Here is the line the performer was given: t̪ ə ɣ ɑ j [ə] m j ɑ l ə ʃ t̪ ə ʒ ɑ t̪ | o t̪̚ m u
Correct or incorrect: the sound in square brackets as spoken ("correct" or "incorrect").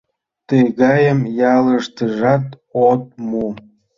correct